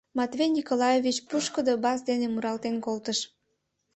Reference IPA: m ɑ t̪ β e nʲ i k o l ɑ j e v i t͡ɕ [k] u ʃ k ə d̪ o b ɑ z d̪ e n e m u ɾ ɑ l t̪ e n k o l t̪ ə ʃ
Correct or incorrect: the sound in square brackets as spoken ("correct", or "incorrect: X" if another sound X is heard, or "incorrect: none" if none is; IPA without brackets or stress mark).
incorrect: p